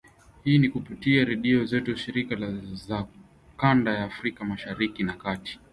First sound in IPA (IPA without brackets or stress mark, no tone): h